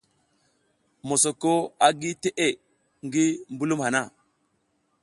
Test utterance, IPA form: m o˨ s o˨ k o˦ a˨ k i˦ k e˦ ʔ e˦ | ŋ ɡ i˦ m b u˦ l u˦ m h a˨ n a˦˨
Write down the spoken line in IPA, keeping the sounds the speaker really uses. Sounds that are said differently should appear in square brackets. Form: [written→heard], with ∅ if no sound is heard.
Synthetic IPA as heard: m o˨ s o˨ k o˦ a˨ [k→ɡ] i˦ [k→t] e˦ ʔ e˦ | ŋ ɡ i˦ m b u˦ l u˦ m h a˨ n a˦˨